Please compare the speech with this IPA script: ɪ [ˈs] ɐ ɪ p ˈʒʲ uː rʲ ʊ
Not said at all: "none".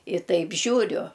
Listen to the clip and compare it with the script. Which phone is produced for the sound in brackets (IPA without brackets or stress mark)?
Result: t